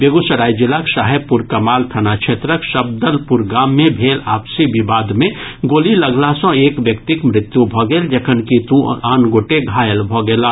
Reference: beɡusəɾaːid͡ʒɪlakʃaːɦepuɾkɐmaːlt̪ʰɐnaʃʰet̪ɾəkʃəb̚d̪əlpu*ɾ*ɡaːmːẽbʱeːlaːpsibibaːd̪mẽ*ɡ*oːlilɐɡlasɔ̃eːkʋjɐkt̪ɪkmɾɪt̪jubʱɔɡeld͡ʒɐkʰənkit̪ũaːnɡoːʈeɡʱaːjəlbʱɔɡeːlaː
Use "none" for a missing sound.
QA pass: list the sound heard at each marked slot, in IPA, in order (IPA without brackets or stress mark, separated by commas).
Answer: ɾ, ɡ